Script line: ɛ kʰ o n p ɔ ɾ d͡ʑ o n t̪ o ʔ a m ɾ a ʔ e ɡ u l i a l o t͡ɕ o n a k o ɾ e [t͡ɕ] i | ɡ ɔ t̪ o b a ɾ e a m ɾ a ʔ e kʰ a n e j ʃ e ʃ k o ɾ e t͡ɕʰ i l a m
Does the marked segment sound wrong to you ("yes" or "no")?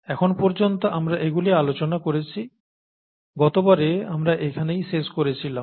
yes